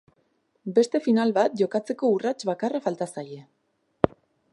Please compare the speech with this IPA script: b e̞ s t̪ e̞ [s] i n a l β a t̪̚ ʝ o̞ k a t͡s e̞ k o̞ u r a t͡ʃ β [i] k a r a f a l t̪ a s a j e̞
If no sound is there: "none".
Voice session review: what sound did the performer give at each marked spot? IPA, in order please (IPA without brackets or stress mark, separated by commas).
f, a